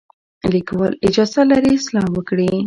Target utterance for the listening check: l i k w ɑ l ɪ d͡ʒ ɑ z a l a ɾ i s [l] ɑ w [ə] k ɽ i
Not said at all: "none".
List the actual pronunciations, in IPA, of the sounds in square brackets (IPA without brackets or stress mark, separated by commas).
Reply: l, ə